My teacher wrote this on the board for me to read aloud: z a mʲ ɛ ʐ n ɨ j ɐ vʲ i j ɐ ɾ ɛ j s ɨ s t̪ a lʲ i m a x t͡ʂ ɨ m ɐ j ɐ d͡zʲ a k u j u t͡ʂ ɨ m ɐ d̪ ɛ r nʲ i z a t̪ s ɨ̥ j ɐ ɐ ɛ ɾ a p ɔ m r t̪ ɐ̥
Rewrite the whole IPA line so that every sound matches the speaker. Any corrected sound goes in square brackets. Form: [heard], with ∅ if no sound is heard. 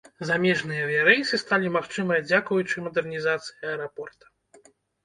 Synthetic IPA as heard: z a mʲ ɛ ʐ n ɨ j ɐ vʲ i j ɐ ɾ ɛ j s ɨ s t̪ a lʲ i m a x t͡ʂ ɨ m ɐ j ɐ d͡zʲ a k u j u t͡ʂ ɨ m ɐ d̪ ɛ r nʲ i z a t̪ s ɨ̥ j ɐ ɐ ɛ ɾ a p ɔ [∅] r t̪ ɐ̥